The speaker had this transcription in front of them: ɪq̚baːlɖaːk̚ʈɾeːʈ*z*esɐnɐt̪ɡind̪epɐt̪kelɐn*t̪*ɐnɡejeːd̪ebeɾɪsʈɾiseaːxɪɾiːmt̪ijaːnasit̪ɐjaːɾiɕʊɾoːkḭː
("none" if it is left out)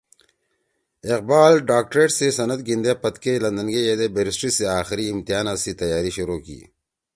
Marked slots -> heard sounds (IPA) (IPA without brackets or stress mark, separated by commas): s, d̪